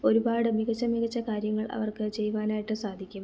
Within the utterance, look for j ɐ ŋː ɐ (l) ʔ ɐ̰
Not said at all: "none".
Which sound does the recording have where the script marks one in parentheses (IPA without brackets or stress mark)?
ɭ